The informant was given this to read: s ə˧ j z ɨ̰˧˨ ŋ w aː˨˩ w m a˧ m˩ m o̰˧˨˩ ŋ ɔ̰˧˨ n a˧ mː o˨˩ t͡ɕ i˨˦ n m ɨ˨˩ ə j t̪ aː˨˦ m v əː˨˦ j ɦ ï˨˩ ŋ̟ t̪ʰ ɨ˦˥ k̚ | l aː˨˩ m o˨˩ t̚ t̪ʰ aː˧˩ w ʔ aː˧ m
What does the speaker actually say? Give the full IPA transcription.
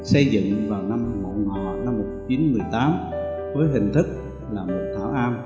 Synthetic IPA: s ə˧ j z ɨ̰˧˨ ŋ v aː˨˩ w n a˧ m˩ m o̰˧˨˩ ŋ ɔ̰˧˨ n a˧ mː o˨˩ t͡ɕ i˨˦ n m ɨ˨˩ ə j t̪ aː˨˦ m v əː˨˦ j ɦ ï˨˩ ŋ̟ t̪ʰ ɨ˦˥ k̚ | l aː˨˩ m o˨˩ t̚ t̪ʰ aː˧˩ w ʔ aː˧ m